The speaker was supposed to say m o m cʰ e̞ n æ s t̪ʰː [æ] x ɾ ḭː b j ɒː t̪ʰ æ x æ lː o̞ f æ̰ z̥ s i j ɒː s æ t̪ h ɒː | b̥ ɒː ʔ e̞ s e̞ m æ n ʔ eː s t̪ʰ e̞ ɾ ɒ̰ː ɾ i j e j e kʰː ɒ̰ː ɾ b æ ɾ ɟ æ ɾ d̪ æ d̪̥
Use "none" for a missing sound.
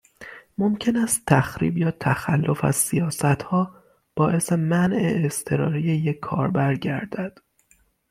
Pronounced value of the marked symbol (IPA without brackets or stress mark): æ